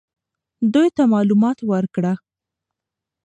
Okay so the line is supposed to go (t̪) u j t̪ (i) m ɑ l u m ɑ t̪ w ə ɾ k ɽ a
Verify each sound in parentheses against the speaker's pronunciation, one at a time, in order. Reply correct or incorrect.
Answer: incorrect: d̪, incorrect: a

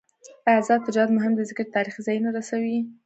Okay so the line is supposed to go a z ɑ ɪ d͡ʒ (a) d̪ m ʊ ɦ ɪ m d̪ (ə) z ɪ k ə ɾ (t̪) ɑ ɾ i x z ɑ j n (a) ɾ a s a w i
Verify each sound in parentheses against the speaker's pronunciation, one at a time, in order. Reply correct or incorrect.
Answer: incorrect: ɑ, correct, correct, correct

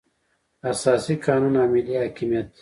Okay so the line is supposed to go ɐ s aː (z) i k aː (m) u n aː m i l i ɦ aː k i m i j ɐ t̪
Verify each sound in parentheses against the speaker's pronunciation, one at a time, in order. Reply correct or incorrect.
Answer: incorrect: s, incorrect: n

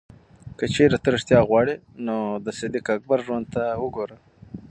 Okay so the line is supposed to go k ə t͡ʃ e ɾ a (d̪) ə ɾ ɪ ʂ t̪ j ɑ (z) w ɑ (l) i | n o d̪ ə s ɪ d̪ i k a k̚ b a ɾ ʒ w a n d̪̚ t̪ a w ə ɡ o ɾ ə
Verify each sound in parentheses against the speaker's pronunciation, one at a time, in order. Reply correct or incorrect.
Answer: incorrect: t̪, incorrect: ɣ, incorrect: ɽ

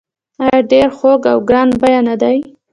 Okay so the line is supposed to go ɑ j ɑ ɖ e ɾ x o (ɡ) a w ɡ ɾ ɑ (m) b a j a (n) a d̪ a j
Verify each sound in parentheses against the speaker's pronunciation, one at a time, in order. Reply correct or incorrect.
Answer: correct, incorrect: n, correct

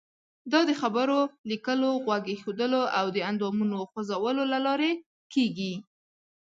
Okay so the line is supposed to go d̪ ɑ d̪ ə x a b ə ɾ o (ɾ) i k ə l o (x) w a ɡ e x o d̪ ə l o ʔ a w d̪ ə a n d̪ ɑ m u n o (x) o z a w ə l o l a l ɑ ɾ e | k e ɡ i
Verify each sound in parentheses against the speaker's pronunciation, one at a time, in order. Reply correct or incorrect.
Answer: incorrect: l, incorrect: ɣ, correct

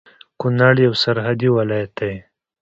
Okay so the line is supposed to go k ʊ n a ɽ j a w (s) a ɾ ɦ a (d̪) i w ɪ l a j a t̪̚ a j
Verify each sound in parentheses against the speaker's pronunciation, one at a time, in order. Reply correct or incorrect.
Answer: correct, correct

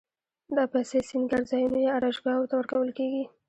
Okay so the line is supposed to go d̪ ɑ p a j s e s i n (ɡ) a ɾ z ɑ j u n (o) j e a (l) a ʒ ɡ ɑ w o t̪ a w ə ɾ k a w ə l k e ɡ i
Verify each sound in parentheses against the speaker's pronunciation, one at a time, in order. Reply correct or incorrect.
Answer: correct, correct, incorrect: ɾ

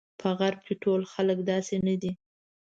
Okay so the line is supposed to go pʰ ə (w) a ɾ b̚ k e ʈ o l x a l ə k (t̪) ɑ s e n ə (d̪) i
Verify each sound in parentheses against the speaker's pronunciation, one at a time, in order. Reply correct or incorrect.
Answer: incorrect: ɣ, incorrect: d̪, correct

